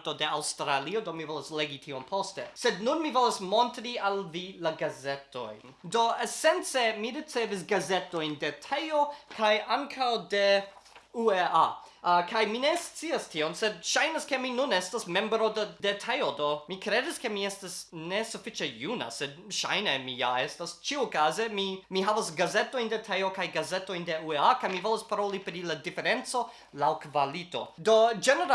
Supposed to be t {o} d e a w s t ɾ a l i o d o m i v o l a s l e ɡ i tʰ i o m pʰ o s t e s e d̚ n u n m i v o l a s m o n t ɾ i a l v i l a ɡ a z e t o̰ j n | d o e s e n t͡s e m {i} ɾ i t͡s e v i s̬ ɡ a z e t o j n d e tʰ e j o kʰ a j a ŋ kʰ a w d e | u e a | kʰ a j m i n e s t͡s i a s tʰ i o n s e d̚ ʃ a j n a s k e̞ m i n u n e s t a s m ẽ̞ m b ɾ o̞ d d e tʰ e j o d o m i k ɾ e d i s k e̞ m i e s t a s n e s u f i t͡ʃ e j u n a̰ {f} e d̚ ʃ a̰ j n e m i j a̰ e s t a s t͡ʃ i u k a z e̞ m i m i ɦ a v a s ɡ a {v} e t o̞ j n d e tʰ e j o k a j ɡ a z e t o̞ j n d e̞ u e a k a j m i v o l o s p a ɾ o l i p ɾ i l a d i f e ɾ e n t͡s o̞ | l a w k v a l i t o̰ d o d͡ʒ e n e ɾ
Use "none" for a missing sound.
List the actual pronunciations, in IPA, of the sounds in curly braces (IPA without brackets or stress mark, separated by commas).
o, i, s, z